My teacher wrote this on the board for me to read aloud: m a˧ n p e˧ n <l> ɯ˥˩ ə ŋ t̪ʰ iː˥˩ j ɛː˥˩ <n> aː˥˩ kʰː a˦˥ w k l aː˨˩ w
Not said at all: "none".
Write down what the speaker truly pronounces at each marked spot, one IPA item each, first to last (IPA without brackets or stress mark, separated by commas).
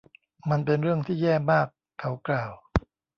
ɾ, m